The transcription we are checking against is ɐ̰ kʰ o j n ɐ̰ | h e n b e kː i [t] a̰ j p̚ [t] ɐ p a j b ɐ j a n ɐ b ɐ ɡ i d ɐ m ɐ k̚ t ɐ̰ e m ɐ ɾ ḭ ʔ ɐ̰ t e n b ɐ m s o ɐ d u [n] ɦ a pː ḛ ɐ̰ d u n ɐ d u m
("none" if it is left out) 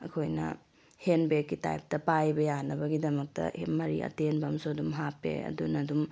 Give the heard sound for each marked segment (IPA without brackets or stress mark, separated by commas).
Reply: t, t, m